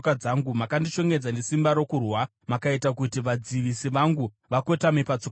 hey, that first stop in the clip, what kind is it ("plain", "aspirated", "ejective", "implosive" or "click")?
plain